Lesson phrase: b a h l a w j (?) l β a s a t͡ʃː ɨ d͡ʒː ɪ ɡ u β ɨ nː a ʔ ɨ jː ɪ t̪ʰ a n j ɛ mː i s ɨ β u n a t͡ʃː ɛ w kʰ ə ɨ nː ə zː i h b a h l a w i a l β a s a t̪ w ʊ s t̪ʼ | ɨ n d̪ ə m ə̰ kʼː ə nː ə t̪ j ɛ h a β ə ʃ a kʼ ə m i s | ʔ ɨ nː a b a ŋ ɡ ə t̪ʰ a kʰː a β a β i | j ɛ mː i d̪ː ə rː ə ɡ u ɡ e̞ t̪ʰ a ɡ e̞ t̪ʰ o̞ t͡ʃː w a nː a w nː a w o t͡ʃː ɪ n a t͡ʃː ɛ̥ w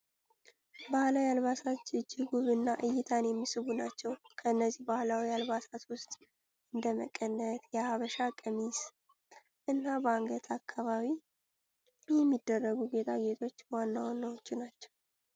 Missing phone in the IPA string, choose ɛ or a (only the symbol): a